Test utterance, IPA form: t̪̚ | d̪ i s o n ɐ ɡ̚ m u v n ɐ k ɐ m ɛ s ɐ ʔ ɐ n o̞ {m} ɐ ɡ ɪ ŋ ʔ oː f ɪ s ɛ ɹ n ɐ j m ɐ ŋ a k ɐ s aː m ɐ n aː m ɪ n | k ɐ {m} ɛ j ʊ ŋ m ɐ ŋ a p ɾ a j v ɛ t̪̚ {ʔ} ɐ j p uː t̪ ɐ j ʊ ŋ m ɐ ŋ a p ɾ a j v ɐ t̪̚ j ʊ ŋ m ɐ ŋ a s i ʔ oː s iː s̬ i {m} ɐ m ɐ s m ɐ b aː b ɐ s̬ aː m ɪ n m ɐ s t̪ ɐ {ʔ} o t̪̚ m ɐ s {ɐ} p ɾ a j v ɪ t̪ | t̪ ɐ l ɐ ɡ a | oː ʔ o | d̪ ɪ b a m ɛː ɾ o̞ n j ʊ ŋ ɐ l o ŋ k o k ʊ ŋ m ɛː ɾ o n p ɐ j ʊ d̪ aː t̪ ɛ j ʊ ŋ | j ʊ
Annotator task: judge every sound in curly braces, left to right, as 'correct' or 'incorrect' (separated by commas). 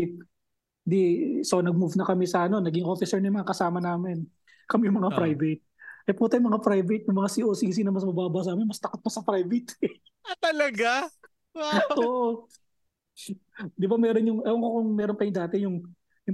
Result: incorrect, correct, correct, incorrect, incorrect, correct